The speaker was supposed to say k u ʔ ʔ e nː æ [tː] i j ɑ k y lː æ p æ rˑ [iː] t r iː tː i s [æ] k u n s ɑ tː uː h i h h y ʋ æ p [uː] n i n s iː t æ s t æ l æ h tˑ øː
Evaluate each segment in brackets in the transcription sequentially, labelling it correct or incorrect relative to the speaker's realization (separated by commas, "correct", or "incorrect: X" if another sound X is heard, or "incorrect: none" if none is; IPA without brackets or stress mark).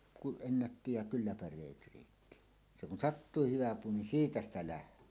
correct, incorrect: eː, incorrect: e, correct